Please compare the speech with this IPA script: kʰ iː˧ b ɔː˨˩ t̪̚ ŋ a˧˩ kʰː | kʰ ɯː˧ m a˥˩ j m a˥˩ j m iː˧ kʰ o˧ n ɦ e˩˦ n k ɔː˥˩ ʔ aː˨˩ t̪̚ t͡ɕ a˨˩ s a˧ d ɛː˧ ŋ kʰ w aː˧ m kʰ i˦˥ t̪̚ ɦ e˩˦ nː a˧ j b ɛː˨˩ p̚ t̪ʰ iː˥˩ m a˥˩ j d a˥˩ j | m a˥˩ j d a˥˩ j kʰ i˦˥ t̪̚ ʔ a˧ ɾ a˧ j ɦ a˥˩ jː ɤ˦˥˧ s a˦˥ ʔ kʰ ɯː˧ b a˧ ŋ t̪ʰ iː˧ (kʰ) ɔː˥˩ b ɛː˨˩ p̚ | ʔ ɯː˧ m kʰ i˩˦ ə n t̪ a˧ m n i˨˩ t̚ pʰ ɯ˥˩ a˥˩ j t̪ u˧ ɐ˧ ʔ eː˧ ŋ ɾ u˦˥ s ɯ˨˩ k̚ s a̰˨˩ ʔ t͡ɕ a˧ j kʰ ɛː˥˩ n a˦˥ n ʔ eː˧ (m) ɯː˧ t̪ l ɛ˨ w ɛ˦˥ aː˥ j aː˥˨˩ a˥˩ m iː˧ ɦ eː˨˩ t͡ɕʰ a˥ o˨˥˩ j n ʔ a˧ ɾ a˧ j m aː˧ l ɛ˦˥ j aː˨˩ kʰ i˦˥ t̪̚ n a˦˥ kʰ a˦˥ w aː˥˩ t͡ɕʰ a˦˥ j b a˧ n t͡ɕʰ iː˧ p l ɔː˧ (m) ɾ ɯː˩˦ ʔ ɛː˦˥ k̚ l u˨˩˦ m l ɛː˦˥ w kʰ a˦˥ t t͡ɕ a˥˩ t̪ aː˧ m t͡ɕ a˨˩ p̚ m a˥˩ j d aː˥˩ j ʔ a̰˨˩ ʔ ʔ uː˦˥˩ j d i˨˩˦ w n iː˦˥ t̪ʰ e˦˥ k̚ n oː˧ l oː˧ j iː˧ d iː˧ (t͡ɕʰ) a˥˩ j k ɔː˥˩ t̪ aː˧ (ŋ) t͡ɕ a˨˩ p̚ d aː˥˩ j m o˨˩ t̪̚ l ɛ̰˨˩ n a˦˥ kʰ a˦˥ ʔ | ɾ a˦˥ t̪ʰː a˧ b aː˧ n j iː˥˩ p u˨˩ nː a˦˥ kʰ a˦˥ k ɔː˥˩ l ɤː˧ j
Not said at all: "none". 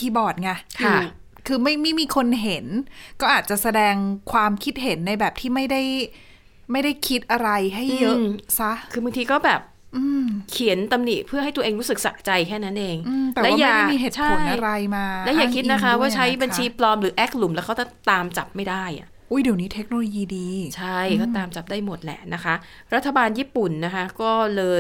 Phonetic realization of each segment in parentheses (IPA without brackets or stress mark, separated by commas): k, ŋ, m, t͡ɕʰ, m